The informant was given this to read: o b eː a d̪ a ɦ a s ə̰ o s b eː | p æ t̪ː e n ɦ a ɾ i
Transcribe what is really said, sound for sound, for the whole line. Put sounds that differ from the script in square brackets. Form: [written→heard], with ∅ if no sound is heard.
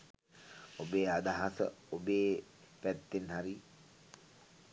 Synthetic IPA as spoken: o b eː a d̪ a ɦ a s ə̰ o [s→∅] b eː | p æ t̪ː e n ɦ a ɾ i